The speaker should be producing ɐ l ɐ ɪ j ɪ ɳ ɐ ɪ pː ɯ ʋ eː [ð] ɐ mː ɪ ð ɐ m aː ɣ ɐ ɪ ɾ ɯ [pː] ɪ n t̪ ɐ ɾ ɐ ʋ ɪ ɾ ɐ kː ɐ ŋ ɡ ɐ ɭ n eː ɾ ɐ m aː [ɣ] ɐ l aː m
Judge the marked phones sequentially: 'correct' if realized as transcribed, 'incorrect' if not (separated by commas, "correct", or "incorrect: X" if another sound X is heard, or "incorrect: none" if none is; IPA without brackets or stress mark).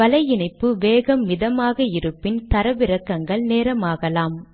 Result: incorrect: ɣ, correct, correct